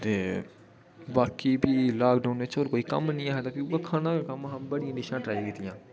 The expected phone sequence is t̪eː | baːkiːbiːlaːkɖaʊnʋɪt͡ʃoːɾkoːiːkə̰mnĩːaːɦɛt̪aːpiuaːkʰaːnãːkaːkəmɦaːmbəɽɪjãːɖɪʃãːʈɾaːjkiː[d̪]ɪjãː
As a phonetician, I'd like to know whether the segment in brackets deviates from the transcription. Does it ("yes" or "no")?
yes